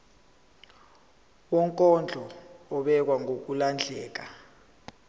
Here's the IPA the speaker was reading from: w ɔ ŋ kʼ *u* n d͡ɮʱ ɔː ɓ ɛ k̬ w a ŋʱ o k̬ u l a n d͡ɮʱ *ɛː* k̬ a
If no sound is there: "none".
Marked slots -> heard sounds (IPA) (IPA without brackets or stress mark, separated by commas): ɔ, ɛː